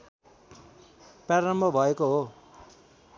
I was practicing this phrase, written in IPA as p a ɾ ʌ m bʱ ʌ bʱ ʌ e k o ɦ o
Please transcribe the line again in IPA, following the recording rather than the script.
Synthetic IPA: p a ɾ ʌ m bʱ ʌ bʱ ʌ e k o ɦ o